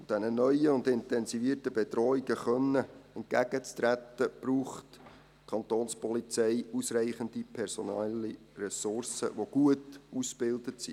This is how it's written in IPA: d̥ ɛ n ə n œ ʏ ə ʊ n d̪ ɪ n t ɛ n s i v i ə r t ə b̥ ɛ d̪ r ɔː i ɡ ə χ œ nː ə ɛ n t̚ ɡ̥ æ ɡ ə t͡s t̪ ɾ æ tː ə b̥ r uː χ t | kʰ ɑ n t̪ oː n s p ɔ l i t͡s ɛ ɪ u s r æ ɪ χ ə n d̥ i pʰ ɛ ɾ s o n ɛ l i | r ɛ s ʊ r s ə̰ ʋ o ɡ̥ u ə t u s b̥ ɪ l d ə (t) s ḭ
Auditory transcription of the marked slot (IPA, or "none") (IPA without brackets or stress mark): t